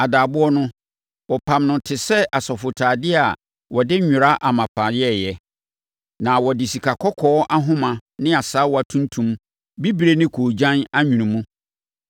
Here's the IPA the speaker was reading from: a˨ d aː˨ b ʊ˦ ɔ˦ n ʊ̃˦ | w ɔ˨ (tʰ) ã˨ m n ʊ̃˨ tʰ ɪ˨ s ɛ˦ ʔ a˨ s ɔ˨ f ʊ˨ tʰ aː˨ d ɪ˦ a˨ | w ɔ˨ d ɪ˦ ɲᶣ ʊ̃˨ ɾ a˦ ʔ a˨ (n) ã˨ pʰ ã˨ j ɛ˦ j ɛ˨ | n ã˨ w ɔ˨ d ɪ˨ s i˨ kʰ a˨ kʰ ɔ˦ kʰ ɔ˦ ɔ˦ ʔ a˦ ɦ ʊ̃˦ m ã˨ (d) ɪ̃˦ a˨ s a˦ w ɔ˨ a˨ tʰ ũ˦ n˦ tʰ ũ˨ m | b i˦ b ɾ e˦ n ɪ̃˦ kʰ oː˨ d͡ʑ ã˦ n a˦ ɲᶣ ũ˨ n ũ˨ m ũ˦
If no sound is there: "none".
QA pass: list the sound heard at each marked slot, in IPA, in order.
pʰ, m, n

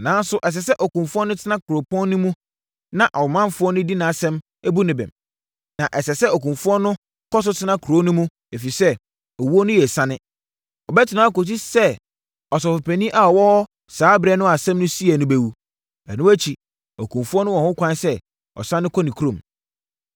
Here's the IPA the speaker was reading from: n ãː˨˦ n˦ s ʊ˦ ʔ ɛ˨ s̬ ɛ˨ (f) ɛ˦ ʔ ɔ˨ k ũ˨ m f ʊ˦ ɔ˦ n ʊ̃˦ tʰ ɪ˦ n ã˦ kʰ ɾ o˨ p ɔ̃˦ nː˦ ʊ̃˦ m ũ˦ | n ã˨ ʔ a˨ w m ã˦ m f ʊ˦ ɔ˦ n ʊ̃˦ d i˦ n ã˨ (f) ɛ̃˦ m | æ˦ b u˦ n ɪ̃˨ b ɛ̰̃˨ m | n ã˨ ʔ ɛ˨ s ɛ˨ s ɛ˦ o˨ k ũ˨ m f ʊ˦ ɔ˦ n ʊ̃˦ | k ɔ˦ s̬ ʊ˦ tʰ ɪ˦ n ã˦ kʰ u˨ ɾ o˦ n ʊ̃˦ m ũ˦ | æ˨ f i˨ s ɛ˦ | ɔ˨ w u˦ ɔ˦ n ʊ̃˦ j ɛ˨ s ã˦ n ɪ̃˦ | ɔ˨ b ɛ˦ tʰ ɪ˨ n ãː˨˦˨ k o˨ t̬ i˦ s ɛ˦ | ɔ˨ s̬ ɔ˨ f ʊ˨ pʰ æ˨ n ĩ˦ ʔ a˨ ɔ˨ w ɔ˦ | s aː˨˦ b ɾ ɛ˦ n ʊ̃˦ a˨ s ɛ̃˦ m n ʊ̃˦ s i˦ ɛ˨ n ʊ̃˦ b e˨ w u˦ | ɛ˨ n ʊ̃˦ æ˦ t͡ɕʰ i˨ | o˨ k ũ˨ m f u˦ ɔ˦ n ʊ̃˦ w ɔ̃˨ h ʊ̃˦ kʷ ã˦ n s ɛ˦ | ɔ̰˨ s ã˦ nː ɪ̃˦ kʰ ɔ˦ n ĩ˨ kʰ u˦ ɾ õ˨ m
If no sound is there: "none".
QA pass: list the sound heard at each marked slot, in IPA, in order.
s, s

